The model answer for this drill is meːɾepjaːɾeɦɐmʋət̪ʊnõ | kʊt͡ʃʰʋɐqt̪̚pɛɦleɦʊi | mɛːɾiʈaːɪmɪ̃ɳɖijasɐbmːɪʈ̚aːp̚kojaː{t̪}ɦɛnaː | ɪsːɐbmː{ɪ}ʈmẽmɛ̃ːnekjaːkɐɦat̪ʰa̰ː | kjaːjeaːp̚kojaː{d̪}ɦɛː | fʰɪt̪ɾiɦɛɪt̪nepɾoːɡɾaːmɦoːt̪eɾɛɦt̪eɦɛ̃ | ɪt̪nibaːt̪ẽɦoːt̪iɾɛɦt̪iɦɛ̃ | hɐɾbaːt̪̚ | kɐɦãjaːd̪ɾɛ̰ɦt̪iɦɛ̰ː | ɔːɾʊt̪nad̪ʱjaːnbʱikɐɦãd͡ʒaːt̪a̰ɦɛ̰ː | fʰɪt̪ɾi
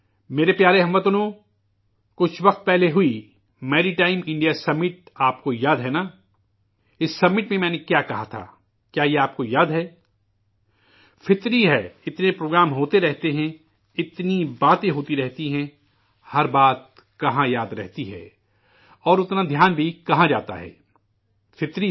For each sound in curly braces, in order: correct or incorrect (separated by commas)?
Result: incorrect, correct, correct